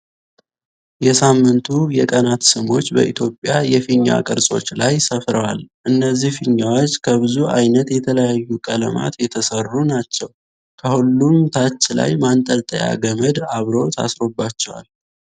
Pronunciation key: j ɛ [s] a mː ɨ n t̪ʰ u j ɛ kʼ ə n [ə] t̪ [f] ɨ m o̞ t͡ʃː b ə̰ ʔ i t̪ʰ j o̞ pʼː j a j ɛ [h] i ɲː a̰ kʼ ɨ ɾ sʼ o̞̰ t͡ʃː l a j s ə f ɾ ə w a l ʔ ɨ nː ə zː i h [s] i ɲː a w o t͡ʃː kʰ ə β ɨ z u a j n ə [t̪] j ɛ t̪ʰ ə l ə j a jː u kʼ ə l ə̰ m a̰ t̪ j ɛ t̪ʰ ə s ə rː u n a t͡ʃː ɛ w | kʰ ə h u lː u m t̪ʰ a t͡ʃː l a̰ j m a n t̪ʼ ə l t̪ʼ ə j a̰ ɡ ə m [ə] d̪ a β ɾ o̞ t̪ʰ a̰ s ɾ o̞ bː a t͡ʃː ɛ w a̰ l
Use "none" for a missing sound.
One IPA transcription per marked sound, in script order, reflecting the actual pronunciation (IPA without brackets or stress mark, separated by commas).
s, a, s, f, f, t̪, ə